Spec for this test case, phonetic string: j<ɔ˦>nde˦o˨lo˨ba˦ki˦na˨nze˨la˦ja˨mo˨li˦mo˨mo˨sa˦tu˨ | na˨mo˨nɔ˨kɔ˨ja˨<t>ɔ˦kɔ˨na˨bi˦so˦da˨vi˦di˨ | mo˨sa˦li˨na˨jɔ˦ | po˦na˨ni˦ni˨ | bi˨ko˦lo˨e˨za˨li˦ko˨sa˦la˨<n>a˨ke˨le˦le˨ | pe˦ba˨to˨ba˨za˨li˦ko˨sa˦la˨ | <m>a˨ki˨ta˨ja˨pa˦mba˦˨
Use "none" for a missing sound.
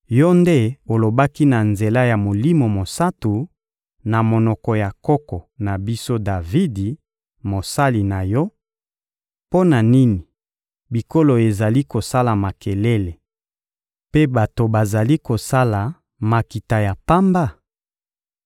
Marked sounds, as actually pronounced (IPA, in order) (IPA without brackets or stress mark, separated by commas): ɔ˦, k, m, m